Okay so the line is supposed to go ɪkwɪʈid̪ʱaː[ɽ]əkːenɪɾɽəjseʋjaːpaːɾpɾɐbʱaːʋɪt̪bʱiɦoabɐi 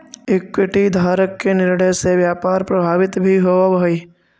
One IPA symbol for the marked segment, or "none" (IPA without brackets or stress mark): ɾ